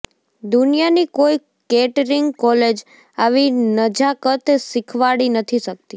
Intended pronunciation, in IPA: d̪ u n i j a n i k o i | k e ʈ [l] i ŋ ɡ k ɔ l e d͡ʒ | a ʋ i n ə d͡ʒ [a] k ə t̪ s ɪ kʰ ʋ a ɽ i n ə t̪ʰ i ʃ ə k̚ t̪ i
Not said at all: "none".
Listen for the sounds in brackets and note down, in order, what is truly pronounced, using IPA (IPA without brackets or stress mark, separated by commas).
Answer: ɾ, a